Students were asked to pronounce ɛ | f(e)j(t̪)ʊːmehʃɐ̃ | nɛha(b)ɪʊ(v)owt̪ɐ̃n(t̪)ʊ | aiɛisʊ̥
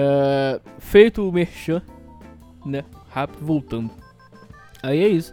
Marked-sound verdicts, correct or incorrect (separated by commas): correct, correct, incorrect, correct, incorrect